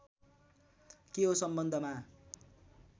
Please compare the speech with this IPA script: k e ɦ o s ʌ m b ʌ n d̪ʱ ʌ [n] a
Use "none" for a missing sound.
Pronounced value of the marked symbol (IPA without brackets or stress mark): m